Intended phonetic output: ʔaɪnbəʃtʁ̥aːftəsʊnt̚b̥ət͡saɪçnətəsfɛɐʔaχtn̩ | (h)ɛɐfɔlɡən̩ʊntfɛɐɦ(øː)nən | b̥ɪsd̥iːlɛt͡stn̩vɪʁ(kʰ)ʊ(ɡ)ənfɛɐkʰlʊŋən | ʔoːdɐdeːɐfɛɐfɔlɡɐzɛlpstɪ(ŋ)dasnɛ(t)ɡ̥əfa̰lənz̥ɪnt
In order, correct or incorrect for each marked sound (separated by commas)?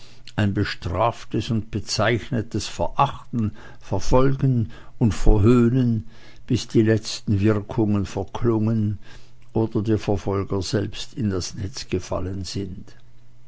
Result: incorrect, correct, correct, incorrect, incorrect, incorrect